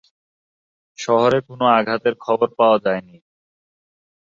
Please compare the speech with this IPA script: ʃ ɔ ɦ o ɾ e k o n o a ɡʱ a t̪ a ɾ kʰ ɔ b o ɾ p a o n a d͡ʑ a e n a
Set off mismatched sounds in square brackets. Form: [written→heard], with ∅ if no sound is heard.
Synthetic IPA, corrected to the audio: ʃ ɔ ɦ o ɾ e k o n o a ɡʱ a t̪ [a→e] ɾ kʰ ɔ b o ɾ p a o [n→∅] a d͡ʑ a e n [a→i]